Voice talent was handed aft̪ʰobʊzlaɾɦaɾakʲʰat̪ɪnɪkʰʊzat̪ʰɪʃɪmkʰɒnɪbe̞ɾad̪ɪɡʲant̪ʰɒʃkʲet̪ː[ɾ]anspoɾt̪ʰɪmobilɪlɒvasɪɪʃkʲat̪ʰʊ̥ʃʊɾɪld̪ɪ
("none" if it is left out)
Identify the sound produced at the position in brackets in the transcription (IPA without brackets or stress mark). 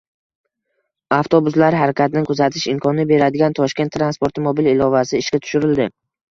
ɾ